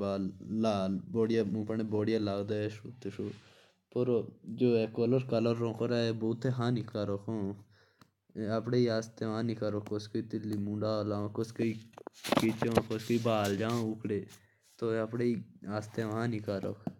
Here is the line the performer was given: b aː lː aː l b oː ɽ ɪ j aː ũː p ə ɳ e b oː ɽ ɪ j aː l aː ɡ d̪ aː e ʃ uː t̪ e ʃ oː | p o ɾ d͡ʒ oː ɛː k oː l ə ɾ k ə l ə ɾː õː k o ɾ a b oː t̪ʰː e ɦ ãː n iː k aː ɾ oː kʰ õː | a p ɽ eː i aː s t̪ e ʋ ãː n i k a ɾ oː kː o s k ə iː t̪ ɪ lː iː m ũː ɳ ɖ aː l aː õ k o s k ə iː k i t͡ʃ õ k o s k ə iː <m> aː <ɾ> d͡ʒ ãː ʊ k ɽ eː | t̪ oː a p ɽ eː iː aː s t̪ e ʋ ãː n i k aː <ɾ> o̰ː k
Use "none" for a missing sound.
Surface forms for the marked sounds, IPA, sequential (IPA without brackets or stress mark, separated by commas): b, l, ɾ